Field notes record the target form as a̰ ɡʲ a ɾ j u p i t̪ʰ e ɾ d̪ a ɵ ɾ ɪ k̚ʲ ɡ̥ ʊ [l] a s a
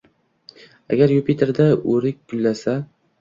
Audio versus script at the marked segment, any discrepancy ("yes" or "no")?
yes